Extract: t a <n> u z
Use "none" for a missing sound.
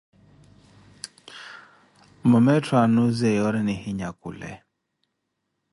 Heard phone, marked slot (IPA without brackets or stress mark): n